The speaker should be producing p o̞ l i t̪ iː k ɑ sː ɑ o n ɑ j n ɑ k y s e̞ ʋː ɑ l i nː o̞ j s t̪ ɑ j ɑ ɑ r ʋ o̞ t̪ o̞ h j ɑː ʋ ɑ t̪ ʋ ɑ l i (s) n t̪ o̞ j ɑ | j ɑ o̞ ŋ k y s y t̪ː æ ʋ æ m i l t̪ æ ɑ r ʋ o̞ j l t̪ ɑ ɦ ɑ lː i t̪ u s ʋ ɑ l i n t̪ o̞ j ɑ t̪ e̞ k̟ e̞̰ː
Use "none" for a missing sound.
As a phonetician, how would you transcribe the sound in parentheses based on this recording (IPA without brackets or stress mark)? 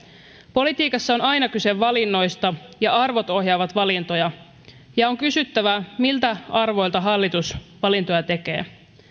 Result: none